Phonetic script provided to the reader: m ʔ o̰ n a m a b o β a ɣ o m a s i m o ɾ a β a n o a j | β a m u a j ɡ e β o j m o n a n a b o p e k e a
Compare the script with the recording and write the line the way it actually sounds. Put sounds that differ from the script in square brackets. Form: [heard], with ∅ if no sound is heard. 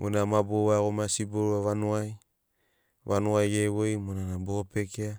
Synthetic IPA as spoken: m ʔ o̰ n a m a b o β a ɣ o m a s i [b] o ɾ a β a n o a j | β a [n] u a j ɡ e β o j m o n a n a b o p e k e a